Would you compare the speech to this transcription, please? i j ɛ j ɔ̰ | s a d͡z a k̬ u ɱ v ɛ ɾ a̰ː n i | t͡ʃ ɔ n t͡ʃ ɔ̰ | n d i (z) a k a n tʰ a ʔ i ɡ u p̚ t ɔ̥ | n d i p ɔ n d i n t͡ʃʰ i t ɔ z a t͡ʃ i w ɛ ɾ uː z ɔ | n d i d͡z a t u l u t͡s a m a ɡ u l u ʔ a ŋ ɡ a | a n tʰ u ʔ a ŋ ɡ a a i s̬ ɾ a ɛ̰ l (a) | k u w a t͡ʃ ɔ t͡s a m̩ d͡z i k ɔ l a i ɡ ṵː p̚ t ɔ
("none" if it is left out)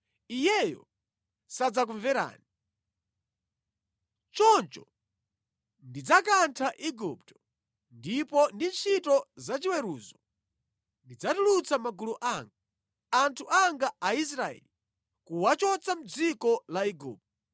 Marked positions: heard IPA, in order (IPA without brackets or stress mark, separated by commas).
d͡z, i